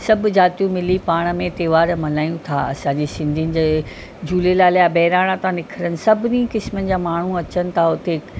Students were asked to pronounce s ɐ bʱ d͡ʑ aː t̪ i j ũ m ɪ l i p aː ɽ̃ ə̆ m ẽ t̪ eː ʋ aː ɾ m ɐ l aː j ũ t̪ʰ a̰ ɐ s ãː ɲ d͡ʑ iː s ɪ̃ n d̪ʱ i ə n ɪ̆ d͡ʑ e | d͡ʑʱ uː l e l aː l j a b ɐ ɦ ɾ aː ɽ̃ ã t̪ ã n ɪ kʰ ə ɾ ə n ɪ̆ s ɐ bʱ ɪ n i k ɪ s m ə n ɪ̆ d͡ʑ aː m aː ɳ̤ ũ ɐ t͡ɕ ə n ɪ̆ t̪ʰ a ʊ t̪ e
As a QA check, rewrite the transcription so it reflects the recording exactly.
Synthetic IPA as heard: s ɐ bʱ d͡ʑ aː t̪ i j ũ m ɪ l i p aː ɽ̃ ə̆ m ẽ t̪ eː ʋ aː ɾ m ɐ l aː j ũ t̪ʰ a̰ ɐ s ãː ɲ d͡ʑ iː s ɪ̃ n d̪ʱ i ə n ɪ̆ d͡ʑ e | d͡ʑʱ uː l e l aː l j a b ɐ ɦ ɾ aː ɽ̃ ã t̪ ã n ɪ kʰ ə ɾ ə n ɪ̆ s ɐ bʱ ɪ n i k ɪ s m ə n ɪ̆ d͡ʑ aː m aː ɳ̤ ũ ɐ t͡ɕ ə n ɪ̆ t̪ʰ a ʊ t̪ e